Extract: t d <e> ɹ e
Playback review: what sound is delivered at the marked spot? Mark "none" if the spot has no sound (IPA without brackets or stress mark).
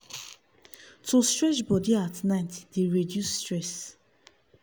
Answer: e